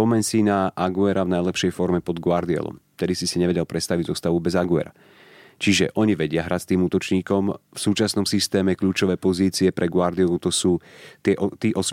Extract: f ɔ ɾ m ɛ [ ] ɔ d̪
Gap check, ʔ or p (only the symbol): p